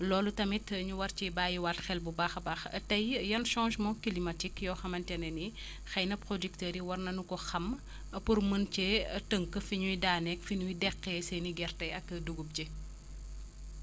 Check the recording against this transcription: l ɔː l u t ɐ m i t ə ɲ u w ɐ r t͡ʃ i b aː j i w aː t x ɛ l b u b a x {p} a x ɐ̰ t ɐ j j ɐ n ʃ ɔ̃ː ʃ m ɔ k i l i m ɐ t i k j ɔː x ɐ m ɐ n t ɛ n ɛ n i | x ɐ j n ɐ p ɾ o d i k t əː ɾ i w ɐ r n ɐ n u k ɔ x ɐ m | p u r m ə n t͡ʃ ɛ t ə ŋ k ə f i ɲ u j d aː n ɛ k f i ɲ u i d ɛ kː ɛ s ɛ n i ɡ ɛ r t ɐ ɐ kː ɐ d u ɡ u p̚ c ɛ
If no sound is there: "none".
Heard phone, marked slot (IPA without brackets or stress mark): b